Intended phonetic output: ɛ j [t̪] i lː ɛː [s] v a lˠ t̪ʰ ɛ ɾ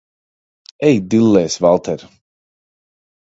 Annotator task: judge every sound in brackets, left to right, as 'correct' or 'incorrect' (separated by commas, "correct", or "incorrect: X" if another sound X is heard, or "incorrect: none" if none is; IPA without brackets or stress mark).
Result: incorrect: d̪, correct